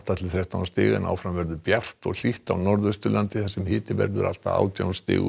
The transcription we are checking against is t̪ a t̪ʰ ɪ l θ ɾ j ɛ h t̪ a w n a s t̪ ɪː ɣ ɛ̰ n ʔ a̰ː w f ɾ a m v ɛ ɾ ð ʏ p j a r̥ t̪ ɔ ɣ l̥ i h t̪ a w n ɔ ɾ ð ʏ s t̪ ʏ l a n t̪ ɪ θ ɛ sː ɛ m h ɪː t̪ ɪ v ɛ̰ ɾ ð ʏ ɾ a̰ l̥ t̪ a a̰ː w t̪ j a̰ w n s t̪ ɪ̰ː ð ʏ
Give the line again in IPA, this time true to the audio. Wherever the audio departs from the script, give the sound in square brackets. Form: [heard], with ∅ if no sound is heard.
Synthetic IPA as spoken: t̪ a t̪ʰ ɪ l θ ɾ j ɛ h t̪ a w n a s t̪ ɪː ɣ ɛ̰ n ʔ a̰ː w f ɾ a m v ɛ ɾ ð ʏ p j a r̥ t̪ ɔ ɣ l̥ i h t̪ a w n ɔ ɾ ð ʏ s t̪ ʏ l a n t̪ ɪ θ ɛ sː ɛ m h ɪː t̪ ɪ v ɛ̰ ɾ ð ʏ ɾ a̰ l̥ t̪ a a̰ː w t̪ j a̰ w n s t̪ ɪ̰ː [ɣ] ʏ